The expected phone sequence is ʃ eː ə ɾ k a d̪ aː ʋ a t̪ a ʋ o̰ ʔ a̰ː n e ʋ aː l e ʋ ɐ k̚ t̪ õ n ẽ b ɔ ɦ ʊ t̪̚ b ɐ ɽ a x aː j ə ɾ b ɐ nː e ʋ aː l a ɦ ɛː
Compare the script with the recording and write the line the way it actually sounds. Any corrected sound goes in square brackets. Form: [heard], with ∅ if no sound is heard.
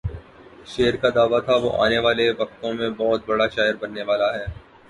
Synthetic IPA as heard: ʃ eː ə ɾ k a d̪ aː ʋ a [t̪ʰ] a ʋ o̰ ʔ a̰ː n e ʋ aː l e ʋ ɐ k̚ t̪ õ [m] ẽ b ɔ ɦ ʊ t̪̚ b ɐ ɽ a [ʃ] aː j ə ɾ b ɐ nː e ʋ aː l a ɦ ɛː